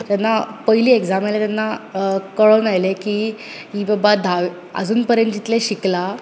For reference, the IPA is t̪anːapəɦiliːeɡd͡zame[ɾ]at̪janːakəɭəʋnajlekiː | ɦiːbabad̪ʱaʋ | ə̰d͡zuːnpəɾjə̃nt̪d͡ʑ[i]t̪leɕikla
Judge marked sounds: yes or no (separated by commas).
no, yes